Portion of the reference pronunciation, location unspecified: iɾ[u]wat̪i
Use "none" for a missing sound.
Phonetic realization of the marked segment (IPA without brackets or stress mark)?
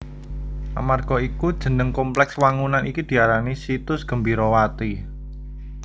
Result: ɔ